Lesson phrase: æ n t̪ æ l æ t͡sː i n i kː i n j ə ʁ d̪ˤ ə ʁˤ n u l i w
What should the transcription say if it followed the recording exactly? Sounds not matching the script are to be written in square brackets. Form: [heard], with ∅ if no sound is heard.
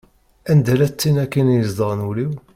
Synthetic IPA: æ n [d̪] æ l æ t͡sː i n [æ] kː i n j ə [z] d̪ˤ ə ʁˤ n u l i w